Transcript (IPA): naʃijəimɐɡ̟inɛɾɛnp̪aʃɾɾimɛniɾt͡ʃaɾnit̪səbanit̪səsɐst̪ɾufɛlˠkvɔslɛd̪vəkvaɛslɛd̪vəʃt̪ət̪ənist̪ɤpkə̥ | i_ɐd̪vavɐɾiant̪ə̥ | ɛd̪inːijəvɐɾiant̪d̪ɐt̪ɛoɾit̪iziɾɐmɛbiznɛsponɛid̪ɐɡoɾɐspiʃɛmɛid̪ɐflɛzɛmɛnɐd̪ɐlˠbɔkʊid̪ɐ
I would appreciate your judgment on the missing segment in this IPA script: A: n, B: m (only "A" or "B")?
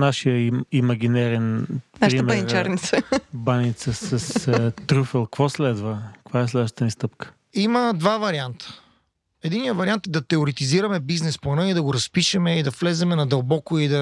B